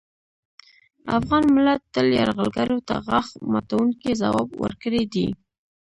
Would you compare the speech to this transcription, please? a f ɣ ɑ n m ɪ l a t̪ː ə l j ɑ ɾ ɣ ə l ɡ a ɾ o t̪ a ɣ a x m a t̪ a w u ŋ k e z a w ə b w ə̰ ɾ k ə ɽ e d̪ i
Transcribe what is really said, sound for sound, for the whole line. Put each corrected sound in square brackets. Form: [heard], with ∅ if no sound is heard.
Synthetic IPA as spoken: a f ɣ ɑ n m ɪ l a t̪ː ə l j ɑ ɾ ɣ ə l ɡ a ɾ o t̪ a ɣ a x m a t̪ a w u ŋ k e z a w [ɑ] b w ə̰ ɾ k ə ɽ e d̪ i

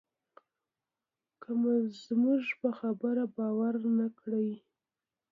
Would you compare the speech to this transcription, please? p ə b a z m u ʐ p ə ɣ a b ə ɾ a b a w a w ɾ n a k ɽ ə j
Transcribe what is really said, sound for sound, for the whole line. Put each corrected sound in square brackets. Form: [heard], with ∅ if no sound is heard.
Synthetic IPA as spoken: [k] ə [m] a z m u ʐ p ə [x] a b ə ɾ a b [ɑ] w a [∅] ɾ n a k ɽ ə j

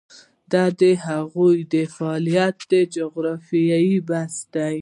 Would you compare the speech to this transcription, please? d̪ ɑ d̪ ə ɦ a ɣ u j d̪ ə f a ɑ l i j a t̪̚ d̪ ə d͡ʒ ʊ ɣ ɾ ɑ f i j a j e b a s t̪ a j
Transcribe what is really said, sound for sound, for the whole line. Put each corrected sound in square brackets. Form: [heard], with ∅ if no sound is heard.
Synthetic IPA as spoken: d̪ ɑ d̪ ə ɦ a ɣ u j d̪ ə f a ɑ l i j a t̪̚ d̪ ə d͡ʒ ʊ ɣ ɾ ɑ f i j a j [i] b a s [d̪] a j

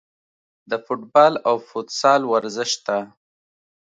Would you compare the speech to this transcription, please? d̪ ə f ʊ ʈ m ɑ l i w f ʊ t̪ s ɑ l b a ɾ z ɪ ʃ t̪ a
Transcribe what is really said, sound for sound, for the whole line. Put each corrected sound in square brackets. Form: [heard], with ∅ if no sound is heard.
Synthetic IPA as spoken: d̪ ə f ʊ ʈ [b] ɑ l [a] w f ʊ t̪ s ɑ l [w] a ɾ z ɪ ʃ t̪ a

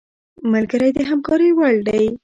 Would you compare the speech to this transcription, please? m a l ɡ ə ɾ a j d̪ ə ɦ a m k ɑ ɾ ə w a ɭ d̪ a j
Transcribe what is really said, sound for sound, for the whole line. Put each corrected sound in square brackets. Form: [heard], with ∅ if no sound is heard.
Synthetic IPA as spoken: m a l ɡ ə ɾ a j d̪ ə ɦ a m k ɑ ɾ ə w a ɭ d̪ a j

